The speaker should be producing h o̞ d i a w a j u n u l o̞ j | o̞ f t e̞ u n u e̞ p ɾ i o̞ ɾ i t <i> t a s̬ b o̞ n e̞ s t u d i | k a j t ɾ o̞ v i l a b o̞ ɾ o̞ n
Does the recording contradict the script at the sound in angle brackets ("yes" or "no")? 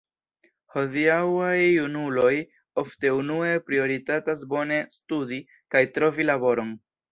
yes